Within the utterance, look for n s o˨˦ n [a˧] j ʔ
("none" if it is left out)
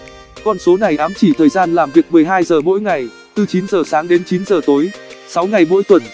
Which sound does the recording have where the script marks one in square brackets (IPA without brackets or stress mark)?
a˨˩